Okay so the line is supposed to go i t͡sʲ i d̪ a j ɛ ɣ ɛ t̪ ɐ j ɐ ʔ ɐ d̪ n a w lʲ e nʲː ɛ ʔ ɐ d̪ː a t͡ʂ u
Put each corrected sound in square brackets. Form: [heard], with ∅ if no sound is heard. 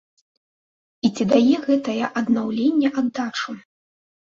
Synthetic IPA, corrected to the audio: i t͡sʲ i d̪ a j ɛ ɣ ɛ t̪ ɐ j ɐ ʔ ɐ d̪ n a w lʲ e nʲː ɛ ʔ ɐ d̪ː a t͡ʂ u